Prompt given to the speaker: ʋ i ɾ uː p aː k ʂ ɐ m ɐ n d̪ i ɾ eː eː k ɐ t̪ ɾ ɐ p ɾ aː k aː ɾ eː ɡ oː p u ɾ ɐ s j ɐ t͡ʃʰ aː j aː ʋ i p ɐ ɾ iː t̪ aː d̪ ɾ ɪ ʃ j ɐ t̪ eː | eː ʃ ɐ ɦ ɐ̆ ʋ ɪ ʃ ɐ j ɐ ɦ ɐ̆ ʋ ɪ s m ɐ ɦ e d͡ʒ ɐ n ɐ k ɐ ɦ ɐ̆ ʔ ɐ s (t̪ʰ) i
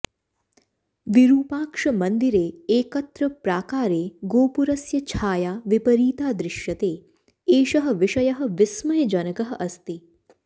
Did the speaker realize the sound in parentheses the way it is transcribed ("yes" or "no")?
no